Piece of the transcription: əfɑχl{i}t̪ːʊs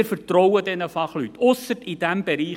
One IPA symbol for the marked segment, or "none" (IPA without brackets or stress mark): y